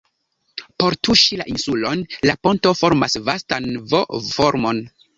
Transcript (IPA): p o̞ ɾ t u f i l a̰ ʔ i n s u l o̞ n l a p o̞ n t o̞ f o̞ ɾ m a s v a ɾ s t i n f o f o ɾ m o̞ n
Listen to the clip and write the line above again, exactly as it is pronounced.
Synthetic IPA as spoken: p o̞ ɾ t u ʃ i l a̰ ʔ i n s u l o̞ n l a p o̞ n t o̞ f o̞ ɾ m a s v a s t a n v o f o ɾ m o̞ n